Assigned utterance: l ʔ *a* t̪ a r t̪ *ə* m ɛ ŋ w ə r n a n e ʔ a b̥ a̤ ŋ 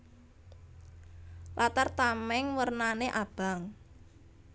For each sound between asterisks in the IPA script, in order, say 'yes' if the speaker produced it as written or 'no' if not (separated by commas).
yes, no